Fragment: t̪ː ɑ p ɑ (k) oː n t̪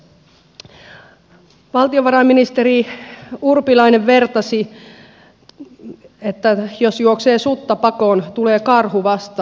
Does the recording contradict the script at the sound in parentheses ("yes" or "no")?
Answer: no